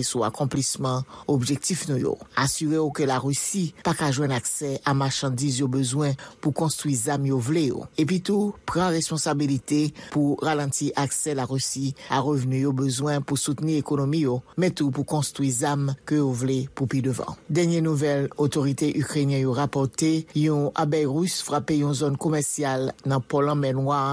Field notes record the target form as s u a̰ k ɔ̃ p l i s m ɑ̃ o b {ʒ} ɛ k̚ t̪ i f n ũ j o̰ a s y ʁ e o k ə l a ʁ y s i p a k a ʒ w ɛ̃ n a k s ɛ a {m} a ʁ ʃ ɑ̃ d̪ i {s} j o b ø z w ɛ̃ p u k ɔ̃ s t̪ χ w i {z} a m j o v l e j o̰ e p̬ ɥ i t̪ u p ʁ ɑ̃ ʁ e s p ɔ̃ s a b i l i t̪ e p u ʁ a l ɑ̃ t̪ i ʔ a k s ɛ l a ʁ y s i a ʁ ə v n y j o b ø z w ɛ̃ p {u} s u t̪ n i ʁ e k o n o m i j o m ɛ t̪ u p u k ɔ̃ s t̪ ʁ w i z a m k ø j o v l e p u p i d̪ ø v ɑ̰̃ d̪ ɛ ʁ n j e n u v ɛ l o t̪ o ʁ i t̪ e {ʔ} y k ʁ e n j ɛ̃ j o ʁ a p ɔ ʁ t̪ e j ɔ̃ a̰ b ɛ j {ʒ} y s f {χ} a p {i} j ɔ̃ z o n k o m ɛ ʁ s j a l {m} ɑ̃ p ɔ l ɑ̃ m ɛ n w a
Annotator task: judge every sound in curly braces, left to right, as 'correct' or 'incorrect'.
correct, correct, incorrect: z, correct, correct, correct, incorrect: ʁ, incorrect: ʁ, incorrect: e, incorrect: n

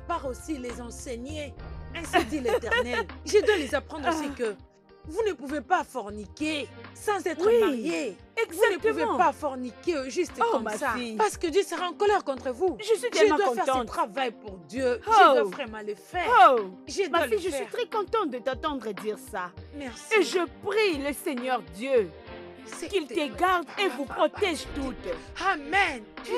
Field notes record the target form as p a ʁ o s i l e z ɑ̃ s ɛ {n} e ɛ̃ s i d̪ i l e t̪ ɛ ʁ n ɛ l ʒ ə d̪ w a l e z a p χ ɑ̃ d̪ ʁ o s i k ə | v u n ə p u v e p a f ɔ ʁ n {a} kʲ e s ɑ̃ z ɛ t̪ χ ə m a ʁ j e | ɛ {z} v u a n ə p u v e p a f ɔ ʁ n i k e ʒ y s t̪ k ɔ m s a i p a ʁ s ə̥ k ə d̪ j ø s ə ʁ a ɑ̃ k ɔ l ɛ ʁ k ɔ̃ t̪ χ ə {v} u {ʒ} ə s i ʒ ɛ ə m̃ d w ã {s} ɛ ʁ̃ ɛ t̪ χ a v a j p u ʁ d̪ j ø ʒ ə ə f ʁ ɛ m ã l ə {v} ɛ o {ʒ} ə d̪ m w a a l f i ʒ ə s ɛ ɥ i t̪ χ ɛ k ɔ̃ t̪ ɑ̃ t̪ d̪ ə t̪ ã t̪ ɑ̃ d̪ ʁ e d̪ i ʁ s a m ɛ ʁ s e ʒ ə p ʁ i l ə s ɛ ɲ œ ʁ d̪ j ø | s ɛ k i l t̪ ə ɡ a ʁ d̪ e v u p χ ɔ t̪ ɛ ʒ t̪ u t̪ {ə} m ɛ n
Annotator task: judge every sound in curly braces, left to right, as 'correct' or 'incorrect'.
incorrect: ɲ, incorrect: i, correct, correct, correct, incorrect: f, incorrect: f, correct, incorrect: a

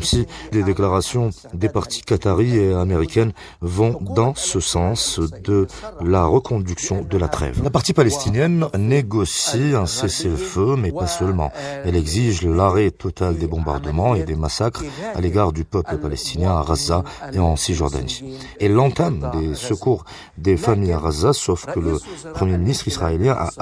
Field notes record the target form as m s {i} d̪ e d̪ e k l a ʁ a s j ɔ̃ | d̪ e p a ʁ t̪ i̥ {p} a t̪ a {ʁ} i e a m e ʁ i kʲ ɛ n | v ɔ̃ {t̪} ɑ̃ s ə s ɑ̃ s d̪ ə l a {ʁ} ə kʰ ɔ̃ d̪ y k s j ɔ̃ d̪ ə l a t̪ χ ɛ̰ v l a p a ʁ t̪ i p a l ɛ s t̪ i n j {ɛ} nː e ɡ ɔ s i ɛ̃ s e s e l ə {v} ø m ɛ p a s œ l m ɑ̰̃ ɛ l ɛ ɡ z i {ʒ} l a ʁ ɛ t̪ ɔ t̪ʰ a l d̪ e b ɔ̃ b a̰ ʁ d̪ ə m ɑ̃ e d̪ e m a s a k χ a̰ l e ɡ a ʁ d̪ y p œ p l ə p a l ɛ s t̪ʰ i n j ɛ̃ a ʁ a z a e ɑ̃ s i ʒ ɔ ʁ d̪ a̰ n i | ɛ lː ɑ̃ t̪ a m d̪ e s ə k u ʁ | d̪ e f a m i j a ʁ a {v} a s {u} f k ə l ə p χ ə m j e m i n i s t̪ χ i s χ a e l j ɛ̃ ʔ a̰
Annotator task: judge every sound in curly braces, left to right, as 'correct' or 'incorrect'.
correct, incorrect: k, correct, incorrect: d̪, correct, correct, incorrect: f, correct, incorrect: z, incorrect: ɔ

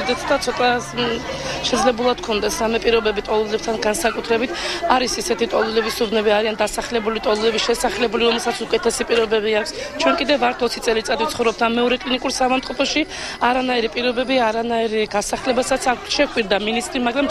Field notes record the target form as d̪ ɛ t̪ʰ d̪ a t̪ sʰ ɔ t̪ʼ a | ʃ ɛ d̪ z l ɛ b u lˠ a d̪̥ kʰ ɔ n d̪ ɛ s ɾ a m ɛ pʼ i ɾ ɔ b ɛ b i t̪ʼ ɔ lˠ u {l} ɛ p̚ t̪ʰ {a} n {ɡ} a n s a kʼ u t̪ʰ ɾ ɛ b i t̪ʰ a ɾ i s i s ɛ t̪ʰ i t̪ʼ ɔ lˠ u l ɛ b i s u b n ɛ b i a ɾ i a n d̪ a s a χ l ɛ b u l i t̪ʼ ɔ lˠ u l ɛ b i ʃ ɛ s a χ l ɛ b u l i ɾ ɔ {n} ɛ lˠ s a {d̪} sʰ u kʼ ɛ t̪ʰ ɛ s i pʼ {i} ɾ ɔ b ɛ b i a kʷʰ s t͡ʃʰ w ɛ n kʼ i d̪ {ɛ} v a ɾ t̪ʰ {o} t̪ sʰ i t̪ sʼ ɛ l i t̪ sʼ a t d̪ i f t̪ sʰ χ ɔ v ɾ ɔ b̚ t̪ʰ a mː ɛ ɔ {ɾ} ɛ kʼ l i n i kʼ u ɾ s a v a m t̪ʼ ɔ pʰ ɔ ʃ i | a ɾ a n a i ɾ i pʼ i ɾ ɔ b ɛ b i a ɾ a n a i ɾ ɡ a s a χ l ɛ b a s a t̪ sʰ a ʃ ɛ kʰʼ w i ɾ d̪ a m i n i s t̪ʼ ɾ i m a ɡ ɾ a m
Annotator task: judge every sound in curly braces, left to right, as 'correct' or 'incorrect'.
correct, correct, correct, incorrect: m, incorrect: t̪, correct, correct, incorrect: ɔ, correct

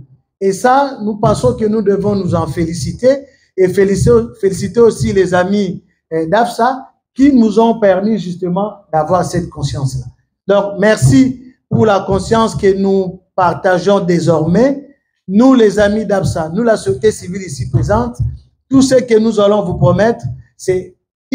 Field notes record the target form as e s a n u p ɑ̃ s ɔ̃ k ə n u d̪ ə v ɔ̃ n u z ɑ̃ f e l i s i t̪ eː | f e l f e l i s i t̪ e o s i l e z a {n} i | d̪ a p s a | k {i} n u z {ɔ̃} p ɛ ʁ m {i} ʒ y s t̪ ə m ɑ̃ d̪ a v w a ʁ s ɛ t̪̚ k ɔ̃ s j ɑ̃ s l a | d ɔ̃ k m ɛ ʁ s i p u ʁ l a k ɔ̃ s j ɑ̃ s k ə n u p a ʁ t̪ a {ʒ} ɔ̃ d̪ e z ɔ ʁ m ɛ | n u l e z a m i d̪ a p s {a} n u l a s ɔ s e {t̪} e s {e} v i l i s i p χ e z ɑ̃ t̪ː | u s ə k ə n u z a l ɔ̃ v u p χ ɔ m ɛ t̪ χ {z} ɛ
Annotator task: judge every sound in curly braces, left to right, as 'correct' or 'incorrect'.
incorrect: m, correct, correct, correct, correct, correct, correct, incorrect: i, incorrect: s

